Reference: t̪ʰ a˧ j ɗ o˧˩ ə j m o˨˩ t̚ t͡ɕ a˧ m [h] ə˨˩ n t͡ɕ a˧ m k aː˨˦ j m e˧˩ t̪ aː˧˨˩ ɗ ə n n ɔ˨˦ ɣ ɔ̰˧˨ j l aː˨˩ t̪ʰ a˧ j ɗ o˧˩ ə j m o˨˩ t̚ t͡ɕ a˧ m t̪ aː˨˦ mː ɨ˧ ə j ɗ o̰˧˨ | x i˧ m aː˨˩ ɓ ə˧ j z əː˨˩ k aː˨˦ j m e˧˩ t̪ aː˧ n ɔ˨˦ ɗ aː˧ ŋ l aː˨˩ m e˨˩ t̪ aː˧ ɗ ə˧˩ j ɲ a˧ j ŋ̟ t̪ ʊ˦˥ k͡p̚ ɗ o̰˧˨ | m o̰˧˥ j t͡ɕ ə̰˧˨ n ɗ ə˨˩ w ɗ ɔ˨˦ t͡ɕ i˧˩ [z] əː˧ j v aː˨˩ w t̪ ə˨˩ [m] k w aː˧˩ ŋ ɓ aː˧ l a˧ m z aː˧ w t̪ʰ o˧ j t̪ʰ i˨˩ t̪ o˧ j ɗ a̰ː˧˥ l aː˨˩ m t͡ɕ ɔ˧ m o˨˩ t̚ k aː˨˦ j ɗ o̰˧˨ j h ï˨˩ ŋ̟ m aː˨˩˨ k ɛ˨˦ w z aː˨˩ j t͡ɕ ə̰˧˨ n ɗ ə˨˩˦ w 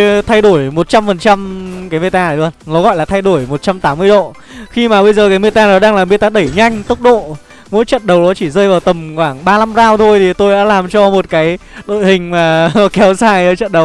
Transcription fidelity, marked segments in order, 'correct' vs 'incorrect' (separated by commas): incorrect, correct, correct